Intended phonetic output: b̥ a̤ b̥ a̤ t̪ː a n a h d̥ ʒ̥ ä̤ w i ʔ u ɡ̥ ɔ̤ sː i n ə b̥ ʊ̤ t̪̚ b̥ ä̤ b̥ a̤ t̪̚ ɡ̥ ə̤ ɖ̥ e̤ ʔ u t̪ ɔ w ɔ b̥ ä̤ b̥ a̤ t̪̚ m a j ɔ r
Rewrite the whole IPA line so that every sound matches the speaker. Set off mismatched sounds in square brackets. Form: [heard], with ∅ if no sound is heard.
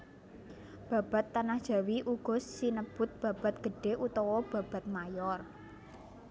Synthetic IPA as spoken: b̥ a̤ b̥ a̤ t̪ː a n a h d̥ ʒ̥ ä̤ w i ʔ u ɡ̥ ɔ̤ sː i n ə b̥ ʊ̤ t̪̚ b̥ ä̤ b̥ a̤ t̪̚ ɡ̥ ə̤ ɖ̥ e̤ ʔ u t̪ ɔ w ɔ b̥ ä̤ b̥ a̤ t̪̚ m a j ɔ r